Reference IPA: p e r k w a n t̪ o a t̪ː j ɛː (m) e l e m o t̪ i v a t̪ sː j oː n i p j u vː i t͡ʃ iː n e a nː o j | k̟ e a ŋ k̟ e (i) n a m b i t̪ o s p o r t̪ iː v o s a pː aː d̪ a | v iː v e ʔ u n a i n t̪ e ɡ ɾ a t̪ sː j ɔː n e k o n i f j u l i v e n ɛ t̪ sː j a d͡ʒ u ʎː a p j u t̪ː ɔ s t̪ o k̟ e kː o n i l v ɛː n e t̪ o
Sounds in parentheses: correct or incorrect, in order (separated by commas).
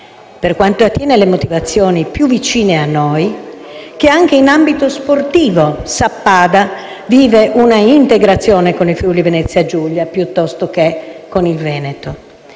incorrect, correct